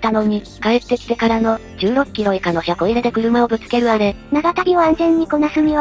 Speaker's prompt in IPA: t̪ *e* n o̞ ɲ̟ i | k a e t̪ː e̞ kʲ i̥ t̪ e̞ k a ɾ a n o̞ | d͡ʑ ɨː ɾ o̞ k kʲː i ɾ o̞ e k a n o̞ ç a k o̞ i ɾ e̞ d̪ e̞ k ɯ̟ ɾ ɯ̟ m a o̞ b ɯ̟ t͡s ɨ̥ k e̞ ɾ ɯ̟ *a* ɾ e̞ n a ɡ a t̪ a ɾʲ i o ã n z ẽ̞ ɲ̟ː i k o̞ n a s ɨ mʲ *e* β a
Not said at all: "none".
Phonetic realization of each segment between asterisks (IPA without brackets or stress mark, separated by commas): a, a, i